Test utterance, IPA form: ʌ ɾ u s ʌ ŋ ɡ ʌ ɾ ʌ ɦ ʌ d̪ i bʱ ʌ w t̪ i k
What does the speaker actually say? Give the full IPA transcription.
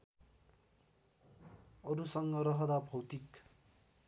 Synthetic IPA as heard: ʌ ɾ u s ʌ ŋ ɡ ʌ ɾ ʌ ɦ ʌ d̪ a bʱ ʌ w t̪ i k